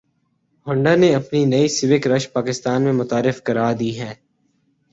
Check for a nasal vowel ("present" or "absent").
present